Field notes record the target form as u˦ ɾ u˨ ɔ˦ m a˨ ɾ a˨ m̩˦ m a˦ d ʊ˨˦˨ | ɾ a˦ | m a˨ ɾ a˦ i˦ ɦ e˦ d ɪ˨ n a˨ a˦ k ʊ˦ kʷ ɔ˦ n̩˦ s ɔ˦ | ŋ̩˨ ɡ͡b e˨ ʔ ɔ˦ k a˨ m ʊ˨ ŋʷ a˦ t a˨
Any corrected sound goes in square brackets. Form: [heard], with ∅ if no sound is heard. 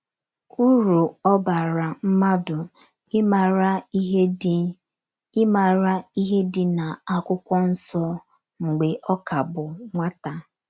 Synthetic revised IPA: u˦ ɾ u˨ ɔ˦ [b] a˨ ɾ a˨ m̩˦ m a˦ d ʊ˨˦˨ | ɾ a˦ | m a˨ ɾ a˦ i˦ ɦ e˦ d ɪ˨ n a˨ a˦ k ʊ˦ kʷ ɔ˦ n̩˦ s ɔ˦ | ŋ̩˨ ɡ͡b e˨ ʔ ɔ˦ k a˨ [b] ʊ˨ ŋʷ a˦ t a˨